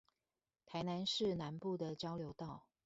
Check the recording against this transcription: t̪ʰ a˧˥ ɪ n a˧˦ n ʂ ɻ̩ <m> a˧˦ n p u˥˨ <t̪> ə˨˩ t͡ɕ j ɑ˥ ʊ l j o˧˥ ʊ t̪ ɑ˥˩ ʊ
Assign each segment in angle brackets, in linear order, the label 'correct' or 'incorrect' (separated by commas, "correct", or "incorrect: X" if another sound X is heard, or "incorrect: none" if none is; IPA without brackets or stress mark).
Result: incorrect: n, incorrect: d̪